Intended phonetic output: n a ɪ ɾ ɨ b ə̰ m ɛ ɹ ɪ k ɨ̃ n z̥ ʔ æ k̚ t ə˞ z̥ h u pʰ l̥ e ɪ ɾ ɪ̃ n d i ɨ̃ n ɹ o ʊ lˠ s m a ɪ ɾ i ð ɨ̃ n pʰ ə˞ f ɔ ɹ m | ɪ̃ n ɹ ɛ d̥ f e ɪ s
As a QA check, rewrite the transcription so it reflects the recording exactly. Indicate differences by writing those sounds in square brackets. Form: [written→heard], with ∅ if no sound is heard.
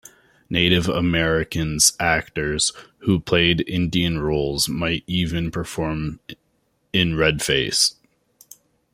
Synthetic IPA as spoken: n [a→e] ɪ ɾ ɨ [b→v] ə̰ m ɛ ɹ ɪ k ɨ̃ n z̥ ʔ æ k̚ t ə˞ z̥ h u pʰ l̥ e ɪ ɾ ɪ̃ n d i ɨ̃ n ɹ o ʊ lˠ [s→z] m a ɪ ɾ i [ð→v] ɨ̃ n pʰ ə˞ f ɔ ɹ m | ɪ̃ n ɹ ɛ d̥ f e ɪ s